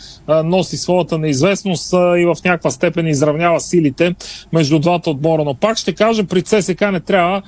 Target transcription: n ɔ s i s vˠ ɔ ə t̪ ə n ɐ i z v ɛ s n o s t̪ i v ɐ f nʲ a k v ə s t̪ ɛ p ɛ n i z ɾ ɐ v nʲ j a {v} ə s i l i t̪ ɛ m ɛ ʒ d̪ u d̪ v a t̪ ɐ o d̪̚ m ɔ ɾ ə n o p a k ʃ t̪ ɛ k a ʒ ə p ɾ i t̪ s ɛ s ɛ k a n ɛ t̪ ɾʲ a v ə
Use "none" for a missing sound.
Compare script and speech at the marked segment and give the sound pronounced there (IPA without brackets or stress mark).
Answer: v